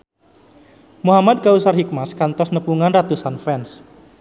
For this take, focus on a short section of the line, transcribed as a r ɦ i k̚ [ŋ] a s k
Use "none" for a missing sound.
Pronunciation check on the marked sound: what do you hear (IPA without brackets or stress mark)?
m